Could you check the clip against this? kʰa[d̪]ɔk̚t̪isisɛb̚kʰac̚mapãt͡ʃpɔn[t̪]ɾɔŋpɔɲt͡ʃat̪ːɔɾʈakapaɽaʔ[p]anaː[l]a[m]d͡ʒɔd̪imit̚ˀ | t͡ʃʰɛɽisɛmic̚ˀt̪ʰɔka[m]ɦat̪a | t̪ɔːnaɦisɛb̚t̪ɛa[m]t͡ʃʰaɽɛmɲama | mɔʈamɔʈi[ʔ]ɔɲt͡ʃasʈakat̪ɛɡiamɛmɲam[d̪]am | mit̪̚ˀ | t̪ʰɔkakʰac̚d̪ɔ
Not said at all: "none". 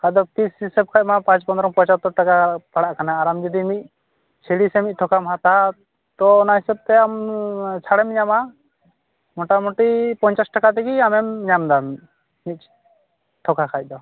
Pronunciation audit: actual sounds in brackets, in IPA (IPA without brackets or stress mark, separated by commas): d̪, d̪, k, ɾ, m, m, m, p, d̪